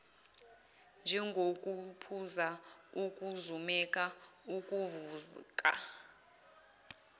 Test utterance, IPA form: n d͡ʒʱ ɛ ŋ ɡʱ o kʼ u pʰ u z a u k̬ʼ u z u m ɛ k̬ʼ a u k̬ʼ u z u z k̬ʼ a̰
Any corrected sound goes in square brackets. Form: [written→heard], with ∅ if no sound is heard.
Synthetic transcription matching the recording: n d͡ʒʱ ɛ ŋ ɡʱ o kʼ u pʰ u z a u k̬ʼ u z u m ɛ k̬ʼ a u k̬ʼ u [z→v] u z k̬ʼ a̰